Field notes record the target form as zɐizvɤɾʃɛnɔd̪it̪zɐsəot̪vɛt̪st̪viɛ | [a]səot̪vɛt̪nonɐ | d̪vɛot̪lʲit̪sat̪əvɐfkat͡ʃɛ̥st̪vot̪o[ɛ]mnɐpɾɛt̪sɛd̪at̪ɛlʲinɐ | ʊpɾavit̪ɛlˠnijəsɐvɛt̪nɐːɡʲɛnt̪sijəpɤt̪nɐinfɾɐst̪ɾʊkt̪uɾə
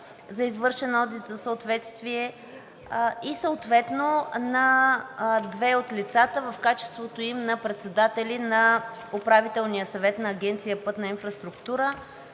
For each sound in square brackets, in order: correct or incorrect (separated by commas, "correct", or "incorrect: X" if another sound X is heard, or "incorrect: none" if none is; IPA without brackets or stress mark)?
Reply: incorrect: i, incorrect: i